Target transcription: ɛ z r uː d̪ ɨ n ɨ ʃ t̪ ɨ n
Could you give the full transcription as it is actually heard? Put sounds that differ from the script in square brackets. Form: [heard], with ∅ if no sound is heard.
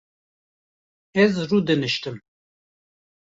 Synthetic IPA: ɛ z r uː d̪ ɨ n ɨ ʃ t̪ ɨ [m]

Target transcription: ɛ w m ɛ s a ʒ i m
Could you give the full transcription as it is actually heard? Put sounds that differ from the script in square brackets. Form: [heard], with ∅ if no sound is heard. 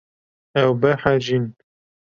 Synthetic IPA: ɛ w [b] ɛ [ħ] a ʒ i [n]

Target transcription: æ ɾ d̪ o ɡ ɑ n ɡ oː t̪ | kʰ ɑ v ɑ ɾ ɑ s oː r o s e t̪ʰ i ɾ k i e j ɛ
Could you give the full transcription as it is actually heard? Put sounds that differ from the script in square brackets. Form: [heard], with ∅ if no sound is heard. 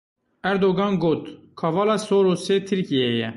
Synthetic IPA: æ ɾ d̪ o ɡ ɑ n ɡ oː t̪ | kʰ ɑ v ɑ [l] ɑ s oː [ɾ] o s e t̪ʰ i ɾ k i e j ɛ

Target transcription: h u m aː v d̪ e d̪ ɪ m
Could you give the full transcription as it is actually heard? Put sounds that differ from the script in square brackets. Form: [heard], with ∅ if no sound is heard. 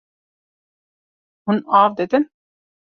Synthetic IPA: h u [n] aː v d̪ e d̪ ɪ [n]

